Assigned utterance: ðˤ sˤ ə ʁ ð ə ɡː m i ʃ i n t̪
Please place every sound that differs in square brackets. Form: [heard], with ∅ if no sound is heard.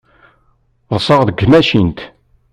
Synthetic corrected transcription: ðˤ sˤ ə ʁ ð ə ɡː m [æ] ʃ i n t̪